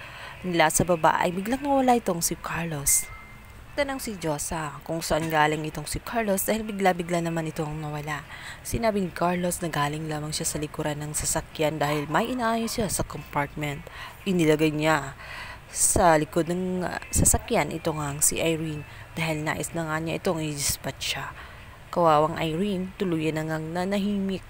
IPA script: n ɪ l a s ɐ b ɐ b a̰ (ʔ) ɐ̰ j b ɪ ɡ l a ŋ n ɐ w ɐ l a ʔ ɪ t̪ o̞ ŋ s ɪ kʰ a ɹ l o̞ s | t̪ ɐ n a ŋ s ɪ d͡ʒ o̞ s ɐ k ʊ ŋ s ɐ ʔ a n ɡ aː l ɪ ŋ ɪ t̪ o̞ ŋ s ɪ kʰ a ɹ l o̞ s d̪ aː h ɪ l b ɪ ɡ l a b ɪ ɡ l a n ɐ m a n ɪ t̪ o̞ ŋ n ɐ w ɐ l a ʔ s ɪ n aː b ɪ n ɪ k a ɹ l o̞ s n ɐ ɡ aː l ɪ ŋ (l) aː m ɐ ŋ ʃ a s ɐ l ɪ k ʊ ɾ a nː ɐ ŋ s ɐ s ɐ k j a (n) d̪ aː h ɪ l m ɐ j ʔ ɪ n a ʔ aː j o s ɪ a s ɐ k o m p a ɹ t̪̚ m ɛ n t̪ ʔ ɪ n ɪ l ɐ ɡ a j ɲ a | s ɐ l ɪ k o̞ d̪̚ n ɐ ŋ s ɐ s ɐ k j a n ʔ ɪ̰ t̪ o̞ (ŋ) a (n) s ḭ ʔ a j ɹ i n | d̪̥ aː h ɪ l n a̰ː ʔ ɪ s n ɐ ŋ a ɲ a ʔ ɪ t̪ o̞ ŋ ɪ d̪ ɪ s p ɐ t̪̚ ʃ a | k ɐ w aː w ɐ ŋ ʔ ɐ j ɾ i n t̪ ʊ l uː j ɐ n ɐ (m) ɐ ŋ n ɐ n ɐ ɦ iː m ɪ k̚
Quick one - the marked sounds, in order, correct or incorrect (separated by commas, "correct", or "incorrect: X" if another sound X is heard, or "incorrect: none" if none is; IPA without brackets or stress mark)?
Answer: correct, correct, correct, correct, incorrect: ŋ, incorrect: ŋ